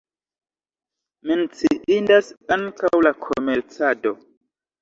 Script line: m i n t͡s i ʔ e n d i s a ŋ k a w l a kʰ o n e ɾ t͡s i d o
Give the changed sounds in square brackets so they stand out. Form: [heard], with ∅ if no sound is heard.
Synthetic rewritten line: m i n t͡s i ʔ [i] n d [a] s a ŋ k a w l a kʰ o [m] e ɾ t͡s [a] d o